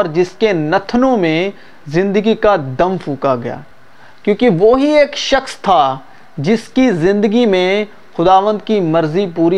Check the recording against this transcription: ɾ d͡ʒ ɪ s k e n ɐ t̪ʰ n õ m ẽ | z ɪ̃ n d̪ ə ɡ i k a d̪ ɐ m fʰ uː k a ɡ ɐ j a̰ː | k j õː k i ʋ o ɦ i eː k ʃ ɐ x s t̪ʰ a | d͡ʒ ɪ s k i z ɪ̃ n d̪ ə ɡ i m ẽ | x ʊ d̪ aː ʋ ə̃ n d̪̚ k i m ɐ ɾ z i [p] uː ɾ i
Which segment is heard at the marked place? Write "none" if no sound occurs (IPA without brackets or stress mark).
p